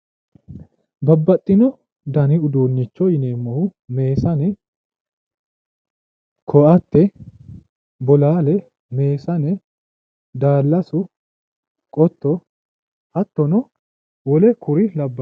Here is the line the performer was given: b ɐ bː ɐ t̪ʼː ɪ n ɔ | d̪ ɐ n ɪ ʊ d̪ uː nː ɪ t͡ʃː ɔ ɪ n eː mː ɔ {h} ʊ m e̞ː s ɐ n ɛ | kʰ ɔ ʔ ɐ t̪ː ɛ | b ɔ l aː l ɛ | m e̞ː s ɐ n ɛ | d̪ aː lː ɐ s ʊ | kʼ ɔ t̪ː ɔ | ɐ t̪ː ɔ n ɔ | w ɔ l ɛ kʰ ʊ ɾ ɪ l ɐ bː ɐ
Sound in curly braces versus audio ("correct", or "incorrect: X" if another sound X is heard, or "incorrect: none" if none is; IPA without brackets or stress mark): correct